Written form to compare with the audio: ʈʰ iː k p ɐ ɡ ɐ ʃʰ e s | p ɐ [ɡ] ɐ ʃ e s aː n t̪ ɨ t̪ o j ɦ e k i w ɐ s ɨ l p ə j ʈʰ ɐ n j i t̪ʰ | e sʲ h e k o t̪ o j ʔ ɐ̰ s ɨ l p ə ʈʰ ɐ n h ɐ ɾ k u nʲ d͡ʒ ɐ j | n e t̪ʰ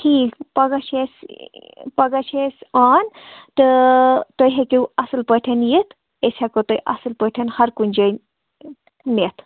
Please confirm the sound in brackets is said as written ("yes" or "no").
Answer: yes